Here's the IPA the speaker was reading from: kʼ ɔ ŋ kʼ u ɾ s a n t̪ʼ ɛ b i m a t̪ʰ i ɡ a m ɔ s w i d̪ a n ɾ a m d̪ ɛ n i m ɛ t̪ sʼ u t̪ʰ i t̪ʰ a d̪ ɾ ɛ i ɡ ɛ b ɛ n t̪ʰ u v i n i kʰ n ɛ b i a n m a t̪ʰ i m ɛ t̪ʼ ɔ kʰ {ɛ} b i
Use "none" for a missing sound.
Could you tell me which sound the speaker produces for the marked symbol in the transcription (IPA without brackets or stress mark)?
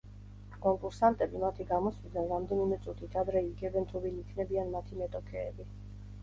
ɛː